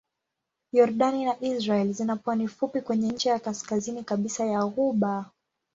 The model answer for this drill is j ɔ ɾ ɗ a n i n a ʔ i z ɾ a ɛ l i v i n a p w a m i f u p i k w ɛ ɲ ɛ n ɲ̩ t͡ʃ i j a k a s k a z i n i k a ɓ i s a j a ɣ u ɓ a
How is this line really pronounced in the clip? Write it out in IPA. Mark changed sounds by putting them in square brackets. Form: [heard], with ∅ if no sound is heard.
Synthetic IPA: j ɔ ɾ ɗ a n i n a ʔ i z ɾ a ɛ l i [z] i n a p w a [n] i f u p i k w ɛ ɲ ɛ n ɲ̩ t͡ʃ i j a k a s k a z i n i k a ɓ i s a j a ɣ u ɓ a